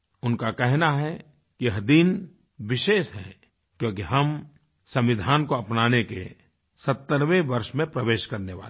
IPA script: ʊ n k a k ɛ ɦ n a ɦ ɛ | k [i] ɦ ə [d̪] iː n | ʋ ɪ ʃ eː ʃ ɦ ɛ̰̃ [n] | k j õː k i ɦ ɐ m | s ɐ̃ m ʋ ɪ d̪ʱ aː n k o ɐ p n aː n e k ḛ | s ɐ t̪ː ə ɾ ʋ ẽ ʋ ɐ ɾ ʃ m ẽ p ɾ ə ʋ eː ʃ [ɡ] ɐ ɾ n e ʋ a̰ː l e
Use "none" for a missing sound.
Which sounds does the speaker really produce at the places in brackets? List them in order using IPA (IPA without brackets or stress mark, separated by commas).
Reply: i, d̪, none, k